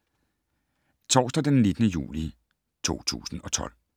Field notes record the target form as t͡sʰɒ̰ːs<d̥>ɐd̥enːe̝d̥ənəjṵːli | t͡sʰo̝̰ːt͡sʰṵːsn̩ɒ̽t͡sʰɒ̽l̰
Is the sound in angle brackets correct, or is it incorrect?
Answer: correct